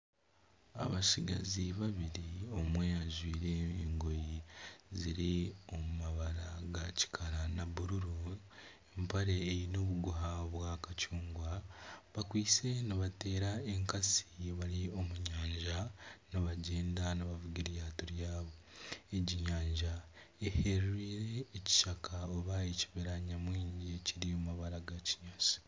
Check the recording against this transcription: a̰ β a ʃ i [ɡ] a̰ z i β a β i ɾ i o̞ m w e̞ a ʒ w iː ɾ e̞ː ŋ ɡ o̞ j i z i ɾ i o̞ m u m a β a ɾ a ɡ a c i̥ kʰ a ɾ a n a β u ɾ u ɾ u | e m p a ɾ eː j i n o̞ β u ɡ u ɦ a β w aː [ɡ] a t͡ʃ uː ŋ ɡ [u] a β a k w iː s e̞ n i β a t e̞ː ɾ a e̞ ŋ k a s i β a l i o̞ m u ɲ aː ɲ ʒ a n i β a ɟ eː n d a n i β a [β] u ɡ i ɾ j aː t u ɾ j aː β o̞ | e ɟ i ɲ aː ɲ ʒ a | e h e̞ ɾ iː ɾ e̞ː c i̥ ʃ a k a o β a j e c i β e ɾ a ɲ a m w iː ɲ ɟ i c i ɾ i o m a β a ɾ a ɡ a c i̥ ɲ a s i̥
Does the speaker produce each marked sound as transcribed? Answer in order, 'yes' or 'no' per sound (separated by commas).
yes, no, no, no